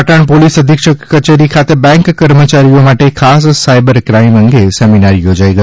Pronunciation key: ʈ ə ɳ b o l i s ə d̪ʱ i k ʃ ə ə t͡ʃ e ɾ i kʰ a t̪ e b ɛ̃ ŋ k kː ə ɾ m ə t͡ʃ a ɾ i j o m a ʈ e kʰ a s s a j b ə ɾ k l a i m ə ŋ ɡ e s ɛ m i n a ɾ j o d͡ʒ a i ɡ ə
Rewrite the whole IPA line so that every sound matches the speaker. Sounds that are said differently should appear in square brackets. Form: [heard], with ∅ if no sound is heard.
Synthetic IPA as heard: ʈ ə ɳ [p] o l i s ə d̪ʱ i k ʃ ə ə t͡ʃ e ɾ i kʰ a t̪ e b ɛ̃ ŋ k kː ə ɾ m ə t͡ʃ a ɾ i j o m a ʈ e kʰ a s s a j b ə ɾ k [ɾ] a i m ə ŋ ɡ e s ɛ m i n a ɾ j o d͡ʒ a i ɡ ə